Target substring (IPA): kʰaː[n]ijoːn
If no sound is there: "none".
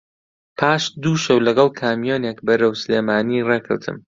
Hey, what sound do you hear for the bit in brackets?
m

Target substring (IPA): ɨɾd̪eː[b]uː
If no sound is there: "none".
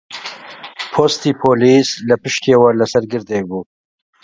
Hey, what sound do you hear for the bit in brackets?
b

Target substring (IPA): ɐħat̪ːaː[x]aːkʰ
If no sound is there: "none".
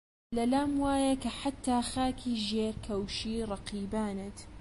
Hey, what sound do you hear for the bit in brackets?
x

